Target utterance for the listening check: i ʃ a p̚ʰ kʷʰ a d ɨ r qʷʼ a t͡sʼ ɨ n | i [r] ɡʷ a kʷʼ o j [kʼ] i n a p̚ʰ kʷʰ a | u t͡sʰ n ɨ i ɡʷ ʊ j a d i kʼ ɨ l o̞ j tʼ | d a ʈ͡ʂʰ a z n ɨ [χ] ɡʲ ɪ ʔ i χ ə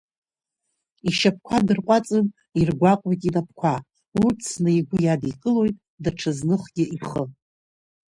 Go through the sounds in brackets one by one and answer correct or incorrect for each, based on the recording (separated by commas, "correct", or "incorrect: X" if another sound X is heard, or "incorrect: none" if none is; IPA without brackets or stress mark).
correct, incorrect: tʼ, correct